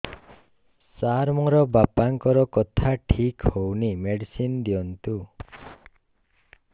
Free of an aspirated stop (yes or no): no